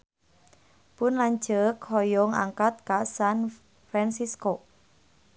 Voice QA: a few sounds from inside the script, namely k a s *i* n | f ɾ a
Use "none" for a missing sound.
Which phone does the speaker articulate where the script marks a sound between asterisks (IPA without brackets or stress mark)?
a